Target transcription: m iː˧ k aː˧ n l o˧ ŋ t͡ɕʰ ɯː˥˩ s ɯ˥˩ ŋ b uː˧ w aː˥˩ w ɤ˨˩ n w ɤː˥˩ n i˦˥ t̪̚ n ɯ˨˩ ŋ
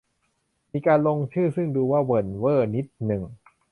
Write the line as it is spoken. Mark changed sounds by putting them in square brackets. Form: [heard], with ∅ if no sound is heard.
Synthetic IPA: m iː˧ k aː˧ n l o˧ ŋ t͡ɕʰ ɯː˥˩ s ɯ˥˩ ŋ [d] uː˧ w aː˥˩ w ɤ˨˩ n w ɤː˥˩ n i˦˥ t̪̚ n ɯ˨˩ ŋ